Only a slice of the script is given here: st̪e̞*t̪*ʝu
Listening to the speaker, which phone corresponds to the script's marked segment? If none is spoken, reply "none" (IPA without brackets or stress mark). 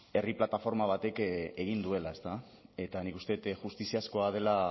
t̪